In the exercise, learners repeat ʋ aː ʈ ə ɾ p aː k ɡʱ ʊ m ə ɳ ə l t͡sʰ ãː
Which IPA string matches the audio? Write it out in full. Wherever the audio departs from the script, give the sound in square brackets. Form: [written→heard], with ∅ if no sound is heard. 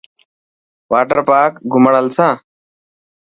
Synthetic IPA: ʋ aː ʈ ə ɾ p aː k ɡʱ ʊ m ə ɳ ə l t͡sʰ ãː